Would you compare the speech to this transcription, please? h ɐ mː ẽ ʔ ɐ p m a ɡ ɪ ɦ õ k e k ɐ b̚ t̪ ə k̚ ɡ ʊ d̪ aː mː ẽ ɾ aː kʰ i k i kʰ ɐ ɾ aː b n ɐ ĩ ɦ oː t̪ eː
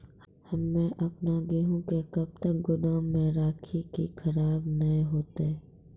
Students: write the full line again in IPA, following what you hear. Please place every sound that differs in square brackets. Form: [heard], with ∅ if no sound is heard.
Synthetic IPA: h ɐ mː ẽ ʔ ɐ p [n] a ɡ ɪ ɦ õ k e k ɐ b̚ t̪ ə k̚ ɡ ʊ d̪ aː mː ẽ ɾ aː kʰ i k i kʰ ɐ ɾ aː b n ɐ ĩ ɦ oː t̪ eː

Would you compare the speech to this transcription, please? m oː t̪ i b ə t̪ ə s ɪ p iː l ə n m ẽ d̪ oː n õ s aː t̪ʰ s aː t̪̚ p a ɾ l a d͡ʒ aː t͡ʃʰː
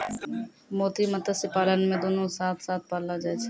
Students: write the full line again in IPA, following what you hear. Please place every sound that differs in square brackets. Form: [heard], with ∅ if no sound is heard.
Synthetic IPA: m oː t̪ i [m] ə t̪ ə s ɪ p [aː] l ə n m ẽ d̪ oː n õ s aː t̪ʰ s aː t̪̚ p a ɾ l a d͡ʒ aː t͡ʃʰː

